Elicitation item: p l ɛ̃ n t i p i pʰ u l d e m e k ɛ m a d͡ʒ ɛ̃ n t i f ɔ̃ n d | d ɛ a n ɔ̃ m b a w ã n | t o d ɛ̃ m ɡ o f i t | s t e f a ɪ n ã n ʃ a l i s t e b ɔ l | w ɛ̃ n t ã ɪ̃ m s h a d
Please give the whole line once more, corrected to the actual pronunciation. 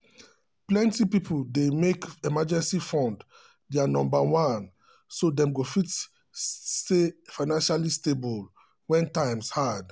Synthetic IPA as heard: p l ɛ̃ n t i p i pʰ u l d e m e k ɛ m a d͡ʒ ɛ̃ n s i f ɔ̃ n d | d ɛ a n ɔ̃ m b a w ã n | s o d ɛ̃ m ɡ o f i t | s t e f a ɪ n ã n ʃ a l i s t e b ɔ l | w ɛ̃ n t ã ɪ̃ m s h a d

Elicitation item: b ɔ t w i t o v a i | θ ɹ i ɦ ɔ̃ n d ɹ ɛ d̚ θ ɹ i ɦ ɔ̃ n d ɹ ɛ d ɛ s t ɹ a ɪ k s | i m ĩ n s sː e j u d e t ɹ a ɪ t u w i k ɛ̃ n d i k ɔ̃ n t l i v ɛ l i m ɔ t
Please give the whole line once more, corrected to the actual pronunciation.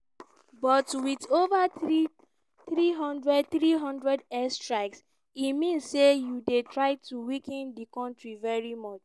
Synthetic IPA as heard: b ɔ t w i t o v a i | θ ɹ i ɦ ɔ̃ n d ɹ ɛ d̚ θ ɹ i ɦ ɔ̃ n d ɹ ɛ d ɛ s t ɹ a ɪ k s | i m ĩ n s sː e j u d e t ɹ a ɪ t u w i k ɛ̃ n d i k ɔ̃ n t ɹ i v ɛ ɹ i m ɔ t͡ʃ

